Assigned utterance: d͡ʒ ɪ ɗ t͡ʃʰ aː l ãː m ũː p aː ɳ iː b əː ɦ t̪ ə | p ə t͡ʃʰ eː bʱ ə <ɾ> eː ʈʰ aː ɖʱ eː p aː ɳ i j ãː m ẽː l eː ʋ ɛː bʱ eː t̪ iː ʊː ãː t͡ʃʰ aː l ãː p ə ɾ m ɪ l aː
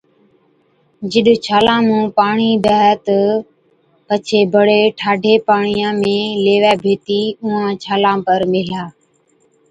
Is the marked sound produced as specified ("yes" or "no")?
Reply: no